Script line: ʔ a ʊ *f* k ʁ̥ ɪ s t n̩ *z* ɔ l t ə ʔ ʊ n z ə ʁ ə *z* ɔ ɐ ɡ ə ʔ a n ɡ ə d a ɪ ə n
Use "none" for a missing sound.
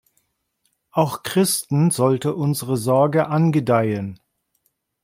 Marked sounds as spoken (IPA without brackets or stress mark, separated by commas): x, z, z